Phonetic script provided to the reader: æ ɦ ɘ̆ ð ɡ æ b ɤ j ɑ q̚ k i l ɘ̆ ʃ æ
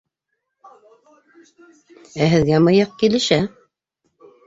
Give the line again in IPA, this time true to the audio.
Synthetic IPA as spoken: æ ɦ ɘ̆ ð ɡ æ m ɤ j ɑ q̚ k i l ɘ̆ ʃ æ